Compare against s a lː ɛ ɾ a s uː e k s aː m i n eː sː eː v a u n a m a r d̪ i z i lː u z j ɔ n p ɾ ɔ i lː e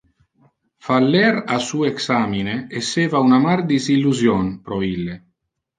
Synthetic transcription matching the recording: f a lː ɛ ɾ a s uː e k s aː m i n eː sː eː v a u n a m a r d̪ i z i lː u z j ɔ n p ɾ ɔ i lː e